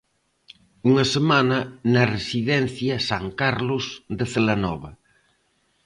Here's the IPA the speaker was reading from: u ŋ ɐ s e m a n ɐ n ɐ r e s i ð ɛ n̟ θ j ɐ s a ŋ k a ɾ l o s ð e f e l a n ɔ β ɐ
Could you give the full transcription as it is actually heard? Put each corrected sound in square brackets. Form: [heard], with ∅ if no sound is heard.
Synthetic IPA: u ŋ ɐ s e m a n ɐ n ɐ r e s i ð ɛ n̟ θ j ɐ s a ŋ k a ɾ l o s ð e [θ] e l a n ɔ β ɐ